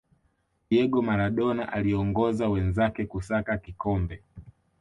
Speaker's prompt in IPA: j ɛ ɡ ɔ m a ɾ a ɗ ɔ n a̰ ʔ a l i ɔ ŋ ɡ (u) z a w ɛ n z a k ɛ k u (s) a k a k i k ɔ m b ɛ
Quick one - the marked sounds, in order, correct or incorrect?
incorrect: ɔ, correct

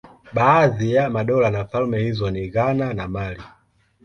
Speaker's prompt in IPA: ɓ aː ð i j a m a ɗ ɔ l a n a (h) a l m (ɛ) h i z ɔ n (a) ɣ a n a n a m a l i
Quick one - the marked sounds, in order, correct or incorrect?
incorrect: f, correct, incorrect: i

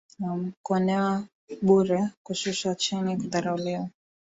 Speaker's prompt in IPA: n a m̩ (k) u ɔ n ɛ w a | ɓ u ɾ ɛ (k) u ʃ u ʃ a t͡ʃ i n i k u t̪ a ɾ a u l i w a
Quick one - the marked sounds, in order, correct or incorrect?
correct, correct

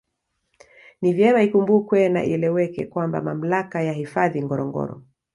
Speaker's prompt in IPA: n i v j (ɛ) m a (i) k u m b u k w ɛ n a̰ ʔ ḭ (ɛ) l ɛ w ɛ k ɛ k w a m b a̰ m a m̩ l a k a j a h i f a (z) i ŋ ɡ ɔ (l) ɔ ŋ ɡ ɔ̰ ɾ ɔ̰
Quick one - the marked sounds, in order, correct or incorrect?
correct, correct, correct, incorrect: ð, incorrect: ɾ

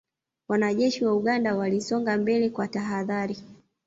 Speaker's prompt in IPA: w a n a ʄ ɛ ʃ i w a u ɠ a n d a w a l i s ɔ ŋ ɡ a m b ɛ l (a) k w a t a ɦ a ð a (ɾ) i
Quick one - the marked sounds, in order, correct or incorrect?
incorrect: ɛ, correct

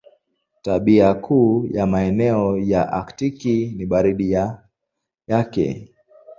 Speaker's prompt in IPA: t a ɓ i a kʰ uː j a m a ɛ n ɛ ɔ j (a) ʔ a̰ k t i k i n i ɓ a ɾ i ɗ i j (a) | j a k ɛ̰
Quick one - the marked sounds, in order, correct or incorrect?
correct, correct

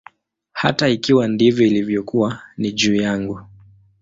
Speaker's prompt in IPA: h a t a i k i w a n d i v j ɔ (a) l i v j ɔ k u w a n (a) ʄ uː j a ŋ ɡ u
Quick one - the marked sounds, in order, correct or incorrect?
incorrect: i, incorrect: i

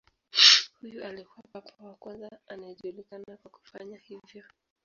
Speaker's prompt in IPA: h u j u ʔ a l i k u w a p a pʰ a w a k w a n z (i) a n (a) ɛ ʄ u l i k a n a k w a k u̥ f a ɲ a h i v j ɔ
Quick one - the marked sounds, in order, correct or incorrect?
incorrect: a, correct

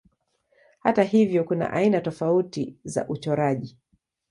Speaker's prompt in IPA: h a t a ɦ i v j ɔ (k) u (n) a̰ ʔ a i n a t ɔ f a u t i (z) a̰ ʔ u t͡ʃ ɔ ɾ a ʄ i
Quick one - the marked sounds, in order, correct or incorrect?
correct, correct, correct

